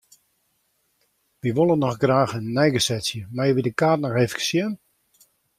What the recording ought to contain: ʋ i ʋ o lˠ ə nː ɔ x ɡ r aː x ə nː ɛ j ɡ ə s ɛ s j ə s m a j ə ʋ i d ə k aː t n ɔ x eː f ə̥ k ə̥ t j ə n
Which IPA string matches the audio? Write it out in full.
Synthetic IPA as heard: ʋ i ʋ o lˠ ə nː ɔ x ɡ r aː x ə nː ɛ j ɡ ə s ɛ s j ə m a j ə ʋ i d ə k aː t n ɔ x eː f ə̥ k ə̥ s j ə n